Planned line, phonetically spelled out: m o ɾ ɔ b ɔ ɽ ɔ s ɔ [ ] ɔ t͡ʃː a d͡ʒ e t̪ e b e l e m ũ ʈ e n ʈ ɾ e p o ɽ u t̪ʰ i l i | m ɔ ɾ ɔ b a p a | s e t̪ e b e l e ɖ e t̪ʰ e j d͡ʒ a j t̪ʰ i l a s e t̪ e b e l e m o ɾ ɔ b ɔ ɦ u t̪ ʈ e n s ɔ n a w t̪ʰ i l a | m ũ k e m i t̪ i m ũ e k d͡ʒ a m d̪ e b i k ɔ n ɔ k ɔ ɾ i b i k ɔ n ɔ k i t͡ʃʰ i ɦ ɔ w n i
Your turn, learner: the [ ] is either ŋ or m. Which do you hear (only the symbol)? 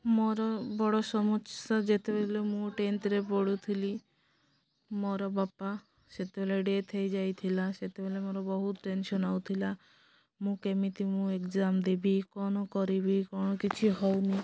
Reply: m